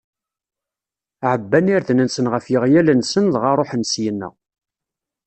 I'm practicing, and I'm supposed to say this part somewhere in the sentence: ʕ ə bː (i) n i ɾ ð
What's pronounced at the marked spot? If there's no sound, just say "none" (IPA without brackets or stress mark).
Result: æ